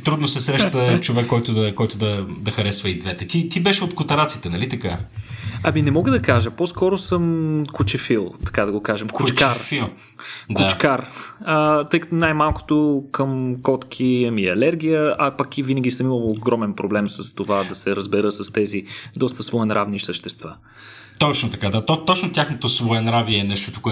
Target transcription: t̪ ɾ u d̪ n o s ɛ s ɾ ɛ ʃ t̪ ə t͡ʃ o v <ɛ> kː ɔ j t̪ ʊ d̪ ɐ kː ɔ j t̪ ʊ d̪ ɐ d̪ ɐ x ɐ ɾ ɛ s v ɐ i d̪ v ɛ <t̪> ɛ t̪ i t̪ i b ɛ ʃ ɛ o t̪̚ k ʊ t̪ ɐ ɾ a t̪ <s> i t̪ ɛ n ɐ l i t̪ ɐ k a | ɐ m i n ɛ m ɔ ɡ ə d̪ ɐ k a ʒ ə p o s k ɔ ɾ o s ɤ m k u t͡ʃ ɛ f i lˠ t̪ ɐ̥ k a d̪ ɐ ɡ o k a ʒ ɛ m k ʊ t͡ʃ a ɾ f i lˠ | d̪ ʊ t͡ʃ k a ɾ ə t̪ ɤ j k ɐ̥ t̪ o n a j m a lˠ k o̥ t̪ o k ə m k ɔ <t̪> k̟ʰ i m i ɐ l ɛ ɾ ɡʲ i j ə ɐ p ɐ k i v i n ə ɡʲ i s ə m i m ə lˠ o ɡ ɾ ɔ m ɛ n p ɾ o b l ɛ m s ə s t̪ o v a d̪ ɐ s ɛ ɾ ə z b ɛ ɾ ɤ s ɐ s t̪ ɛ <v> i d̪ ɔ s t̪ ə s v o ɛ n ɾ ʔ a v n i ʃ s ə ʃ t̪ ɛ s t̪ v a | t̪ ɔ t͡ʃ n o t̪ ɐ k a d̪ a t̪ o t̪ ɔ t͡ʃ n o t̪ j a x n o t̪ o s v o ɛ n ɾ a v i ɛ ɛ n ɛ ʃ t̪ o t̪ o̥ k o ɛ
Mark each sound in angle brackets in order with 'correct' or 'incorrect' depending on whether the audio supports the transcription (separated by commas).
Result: correct, correct, correct, correct, incorrect